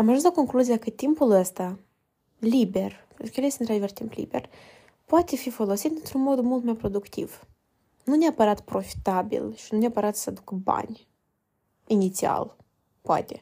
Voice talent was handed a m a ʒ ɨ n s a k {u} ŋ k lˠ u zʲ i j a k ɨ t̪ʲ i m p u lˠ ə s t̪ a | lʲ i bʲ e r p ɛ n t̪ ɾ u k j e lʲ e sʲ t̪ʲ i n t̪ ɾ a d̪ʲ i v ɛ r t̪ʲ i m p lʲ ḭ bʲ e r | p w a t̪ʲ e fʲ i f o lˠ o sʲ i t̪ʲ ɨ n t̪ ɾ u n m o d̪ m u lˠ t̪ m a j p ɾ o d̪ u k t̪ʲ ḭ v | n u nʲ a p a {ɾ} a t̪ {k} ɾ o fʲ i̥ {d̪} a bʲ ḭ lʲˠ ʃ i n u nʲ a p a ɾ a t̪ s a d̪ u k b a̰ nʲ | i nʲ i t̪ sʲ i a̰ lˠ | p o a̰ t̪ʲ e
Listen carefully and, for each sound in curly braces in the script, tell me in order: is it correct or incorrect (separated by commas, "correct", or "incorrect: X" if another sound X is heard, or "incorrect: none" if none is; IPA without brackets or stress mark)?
incorrect: o, correct, incorrect: p, incorrect: t̪